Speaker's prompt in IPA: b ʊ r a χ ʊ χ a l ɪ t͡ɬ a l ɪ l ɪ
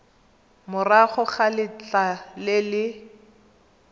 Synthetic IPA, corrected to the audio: m ʊ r a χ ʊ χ a l ɪ t͡ɬ a l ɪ l ɪ

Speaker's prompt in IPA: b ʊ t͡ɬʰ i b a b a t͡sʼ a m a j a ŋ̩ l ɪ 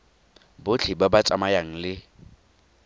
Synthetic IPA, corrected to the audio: b ʊ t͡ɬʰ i b a b a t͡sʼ a m a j a ŋ̩ l ɪ

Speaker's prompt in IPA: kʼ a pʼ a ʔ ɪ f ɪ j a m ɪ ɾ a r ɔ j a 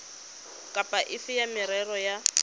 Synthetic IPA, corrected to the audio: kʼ a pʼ a ʔ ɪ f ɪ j a m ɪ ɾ ɛ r ɔ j a

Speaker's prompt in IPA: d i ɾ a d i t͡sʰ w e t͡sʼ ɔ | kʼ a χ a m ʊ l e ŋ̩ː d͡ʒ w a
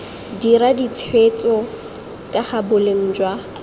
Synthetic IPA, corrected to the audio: d i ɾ a d i t͡sʰ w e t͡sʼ ɔ | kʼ a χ a b ʊ l e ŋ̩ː d͡ʒ w a

